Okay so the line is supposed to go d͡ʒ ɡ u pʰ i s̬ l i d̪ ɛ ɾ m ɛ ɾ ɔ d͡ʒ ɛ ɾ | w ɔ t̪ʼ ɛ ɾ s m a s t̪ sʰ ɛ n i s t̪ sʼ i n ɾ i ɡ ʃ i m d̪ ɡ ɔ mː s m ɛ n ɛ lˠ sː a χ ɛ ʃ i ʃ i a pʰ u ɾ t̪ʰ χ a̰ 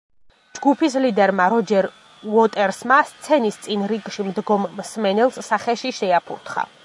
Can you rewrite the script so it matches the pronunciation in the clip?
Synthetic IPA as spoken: d͡ʒ ɡ u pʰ i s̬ l i d̪ ɛ ɾ m a ɾ ɔ d͡ʒ ɛ ɾ | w ɔ t̪ʼ ɛ ɾ s m a s t̪ sʰ ɛ n i s t̪ sʼ i n ɾ i ɡ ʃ i m d̪ ɡ ɔ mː s m ɛ n ɛ lˠ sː a χ ɛ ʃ i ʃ ɛ a pʰ u ɾ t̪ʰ χ a̰